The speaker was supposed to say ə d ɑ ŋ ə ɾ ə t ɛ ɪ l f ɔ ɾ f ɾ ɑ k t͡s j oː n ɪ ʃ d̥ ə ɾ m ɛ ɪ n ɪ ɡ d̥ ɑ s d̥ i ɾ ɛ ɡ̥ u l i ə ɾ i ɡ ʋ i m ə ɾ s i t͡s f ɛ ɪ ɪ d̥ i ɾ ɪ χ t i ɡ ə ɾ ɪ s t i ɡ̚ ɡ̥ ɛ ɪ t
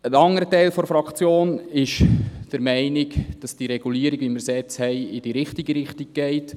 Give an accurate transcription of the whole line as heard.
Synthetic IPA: ə n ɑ ŋ ə ɾ ə t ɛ ɪ l f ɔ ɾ f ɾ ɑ k t͡s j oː n ɪ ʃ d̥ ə ɾ m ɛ ɪ n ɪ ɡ d̥ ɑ s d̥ i ɾ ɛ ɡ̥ u l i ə ɾ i ɡ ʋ i m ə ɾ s ɛ t͡s h ɛ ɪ ɪ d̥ i ɾ ɪ χ t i ɡ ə ɾ ɪ χ t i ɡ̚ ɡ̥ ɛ ɪ t